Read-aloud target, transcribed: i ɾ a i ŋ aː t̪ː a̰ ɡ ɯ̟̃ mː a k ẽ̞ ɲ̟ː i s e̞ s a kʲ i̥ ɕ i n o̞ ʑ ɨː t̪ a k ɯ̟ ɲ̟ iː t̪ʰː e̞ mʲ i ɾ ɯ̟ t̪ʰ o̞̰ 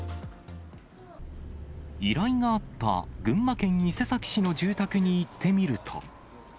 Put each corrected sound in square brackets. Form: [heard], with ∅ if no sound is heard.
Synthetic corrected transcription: i ɾ a i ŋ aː t̪ː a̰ ɡ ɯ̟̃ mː a k ẽ̞ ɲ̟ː i s e̞ s a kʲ i̥ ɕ i n o̞ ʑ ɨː t̪ a k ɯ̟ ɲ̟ iː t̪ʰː e̞ mʲ i ɾ ɯ̟ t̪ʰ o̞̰